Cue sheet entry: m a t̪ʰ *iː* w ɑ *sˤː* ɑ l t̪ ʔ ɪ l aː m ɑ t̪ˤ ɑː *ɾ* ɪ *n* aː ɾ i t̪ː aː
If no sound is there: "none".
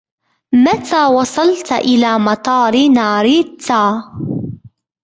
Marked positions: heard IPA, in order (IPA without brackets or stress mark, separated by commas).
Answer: aː, sˤ, ɾ, n